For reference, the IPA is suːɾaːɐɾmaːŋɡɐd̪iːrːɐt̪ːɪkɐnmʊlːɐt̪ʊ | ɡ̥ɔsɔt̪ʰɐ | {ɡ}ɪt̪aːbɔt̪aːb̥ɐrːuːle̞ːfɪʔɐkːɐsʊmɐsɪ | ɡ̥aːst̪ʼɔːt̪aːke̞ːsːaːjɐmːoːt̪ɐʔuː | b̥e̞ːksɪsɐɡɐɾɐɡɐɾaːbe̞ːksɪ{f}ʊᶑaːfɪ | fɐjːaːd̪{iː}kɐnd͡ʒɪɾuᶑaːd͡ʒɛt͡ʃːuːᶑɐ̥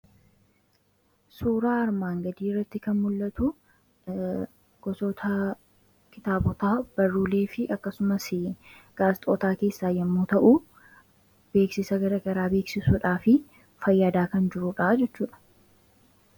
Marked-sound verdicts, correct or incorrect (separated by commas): incorrect, incorrect, incorrect